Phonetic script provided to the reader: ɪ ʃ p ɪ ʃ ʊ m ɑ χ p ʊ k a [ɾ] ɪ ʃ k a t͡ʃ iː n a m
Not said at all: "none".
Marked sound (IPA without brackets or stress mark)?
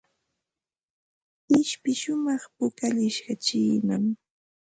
ʎ